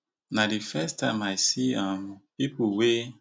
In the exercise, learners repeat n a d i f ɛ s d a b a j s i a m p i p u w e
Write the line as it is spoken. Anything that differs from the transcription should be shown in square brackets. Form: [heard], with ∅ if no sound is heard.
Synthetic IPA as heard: n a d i f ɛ s [t] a [m] a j s i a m p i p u w e